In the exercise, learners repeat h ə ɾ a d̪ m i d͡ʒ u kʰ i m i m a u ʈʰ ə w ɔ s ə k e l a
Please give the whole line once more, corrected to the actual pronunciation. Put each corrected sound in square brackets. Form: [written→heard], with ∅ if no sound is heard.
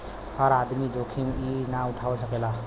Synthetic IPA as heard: h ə ɾ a d̪ m i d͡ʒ [u→o] kʰ i m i [m→n] a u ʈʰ [ə→a] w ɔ s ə k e l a

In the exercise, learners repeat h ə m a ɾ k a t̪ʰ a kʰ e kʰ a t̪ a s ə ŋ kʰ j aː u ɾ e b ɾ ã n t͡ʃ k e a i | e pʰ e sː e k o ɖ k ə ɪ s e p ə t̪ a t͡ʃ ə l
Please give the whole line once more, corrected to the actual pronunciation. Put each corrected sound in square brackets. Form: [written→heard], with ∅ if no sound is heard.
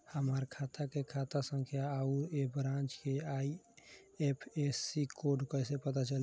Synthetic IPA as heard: h ə m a ɾ [k→kʰ] a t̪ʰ a [kʰ→k] e kʰ a t̪ a s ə ŋ kʰ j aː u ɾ e b ɾ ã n t͡ʃ k e a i | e pʰ e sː [e→i] k o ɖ k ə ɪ s e p ə t̪ a t͡ʃ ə l

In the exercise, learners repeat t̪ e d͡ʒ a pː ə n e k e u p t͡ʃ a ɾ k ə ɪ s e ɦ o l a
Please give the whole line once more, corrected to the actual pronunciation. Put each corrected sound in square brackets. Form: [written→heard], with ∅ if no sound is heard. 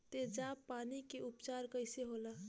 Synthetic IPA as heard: t̪ e d͡ʒ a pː [ə→a] n [e→i] k e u p t͡ʃ a ɾ k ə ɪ s e ɦ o l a

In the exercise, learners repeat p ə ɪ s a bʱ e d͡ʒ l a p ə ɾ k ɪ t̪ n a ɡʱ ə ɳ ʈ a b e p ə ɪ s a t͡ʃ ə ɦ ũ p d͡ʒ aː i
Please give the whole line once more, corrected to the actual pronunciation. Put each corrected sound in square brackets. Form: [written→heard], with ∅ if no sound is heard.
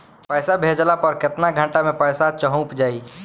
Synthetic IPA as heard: p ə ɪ s a bʱ e d͡ʒ l a p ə ɾ k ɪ t̪ n a ɡʱ ə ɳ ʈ a [b→m] e p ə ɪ s a t͡ʃ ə ɦ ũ p d͡ʒ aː i

